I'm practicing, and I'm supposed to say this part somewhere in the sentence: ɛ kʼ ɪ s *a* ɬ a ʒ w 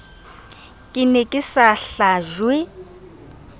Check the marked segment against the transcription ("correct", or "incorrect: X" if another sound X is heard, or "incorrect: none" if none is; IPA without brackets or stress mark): correct